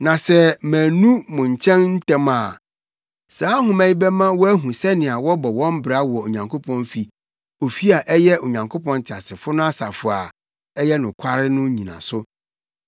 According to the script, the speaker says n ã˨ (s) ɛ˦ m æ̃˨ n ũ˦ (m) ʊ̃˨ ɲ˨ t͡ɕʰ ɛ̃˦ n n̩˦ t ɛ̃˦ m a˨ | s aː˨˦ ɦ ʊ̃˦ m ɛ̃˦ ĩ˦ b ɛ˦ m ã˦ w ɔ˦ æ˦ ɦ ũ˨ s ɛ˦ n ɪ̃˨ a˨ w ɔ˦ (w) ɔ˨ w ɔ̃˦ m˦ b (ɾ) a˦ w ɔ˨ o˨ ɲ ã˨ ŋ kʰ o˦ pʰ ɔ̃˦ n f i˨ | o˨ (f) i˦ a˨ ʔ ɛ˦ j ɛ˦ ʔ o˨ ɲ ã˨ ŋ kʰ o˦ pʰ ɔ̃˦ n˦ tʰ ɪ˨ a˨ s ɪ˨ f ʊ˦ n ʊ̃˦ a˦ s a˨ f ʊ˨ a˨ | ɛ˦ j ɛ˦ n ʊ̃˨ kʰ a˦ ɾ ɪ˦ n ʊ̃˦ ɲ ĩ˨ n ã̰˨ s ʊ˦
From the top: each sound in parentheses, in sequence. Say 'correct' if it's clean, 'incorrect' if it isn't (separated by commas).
correct, correct, incorrect, correct, correct